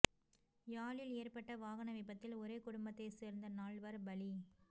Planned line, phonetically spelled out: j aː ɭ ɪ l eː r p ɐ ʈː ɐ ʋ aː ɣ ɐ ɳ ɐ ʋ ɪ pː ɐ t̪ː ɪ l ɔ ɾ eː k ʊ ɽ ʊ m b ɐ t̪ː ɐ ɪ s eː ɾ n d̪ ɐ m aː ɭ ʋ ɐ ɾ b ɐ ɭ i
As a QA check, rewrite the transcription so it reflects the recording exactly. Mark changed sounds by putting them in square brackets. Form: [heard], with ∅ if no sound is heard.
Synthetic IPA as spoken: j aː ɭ ɪ l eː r p ɐ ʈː ɐ ʋ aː ɣ ɐ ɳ ɐ ʋ ɪ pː ɐ t̪ː ɪ l ɔ ɾ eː k ʊ ɽ ʊ m b ɐ t̪ː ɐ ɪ s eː ɾ n d̪ ɐ [n] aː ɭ ʋ ɐ ɾ b ɐ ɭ i